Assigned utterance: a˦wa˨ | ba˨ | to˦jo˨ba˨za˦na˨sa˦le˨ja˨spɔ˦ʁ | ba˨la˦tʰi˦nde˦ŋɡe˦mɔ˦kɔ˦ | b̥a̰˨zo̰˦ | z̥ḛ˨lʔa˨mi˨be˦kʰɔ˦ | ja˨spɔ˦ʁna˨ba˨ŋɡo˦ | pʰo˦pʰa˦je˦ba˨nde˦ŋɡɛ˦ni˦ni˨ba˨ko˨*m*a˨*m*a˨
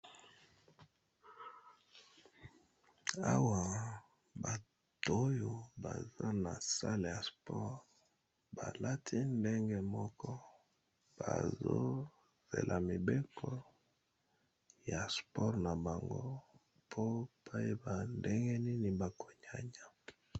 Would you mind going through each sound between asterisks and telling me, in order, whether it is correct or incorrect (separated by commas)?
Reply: incorrect, incorrect